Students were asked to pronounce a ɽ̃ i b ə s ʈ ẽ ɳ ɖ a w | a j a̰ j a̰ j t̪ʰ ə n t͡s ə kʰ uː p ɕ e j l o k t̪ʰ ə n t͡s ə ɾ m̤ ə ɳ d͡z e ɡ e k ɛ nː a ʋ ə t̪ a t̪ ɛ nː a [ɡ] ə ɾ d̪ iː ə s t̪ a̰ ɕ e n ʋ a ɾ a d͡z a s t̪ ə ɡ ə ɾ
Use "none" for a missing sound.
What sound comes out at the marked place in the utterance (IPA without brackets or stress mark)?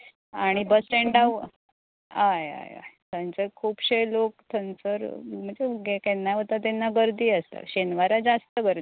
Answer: ɡ